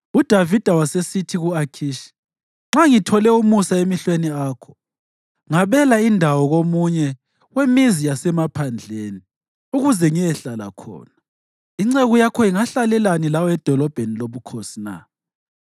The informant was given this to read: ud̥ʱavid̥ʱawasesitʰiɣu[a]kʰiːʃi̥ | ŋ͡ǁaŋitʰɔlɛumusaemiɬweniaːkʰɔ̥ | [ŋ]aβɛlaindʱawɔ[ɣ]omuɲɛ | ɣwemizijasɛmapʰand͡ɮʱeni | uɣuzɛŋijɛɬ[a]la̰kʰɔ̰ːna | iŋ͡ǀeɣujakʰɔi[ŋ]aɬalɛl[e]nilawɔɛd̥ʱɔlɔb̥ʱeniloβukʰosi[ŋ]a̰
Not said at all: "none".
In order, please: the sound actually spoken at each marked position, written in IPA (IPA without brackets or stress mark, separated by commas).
a, ŋ, ɣ, a, ŋ, a, n